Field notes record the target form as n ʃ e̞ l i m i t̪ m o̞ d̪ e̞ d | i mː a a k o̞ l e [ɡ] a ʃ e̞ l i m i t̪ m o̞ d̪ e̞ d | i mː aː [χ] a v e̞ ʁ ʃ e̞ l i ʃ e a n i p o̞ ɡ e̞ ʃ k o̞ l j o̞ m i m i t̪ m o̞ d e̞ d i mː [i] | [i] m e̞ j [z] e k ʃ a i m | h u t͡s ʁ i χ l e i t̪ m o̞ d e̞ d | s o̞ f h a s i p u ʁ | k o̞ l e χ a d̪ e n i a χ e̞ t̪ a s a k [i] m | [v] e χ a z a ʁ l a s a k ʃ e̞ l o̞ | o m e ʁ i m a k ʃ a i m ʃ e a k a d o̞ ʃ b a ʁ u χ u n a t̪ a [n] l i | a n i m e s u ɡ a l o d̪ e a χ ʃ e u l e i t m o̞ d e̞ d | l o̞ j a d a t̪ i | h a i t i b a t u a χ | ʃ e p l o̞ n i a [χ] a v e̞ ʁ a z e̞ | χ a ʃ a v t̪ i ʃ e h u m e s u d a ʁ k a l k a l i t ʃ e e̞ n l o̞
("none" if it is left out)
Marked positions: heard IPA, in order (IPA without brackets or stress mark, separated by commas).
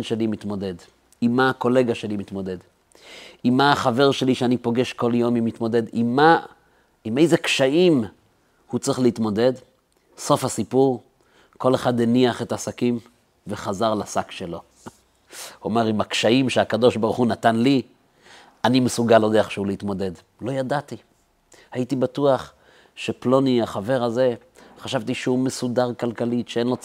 ɡ, χ, a, i, z, i, v, n, χ